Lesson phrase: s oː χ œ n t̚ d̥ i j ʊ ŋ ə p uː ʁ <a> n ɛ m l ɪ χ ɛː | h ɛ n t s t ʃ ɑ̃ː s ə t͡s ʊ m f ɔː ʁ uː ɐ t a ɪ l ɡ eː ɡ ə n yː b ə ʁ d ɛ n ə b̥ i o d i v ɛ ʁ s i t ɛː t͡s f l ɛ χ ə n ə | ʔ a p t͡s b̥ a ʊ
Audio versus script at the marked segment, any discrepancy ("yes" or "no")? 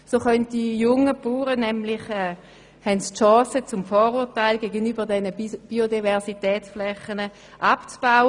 yes